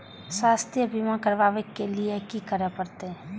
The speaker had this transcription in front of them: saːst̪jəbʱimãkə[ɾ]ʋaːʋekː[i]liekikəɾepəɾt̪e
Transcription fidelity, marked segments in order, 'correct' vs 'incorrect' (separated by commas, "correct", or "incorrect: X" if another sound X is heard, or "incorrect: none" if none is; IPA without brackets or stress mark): correct, incorrect: e